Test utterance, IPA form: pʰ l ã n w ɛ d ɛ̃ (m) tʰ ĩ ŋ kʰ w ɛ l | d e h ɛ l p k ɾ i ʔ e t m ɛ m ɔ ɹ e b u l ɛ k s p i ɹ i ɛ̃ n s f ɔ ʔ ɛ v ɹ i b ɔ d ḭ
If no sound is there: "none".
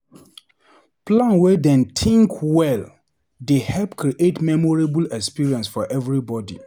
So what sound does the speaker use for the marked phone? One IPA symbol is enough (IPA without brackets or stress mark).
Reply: n